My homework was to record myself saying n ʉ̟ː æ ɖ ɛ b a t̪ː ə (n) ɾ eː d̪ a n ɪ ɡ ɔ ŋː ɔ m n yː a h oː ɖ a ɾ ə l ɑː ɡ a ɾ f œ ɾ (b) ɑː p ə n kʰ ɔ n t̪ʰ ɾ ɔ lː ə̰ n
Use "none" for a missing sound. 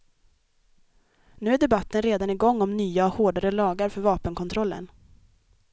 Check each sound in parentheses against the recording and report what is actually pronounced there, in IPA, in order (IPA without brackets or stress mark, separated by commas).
n, v